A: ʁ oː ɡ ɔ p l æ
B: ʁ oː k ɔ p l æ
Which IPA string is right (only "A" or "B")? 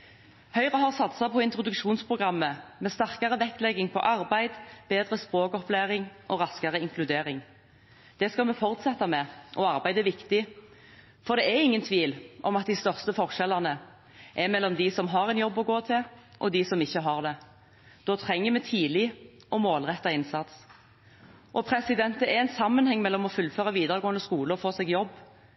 B